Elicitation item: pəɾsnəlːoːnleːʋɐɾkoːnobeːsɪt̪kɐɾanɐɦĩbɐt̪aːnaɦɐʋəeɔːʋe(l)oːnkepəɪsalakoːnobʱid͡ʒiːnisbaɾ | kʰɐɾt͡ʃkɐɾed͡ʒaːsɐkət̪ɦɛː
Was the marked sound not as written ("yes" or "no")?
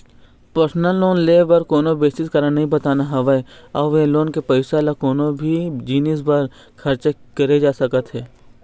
no